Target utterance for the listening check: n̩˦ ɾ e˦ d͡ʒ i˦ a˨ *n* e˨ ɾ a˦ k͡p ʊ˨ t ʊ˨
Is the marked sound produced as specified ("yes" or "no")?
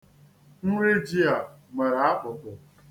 no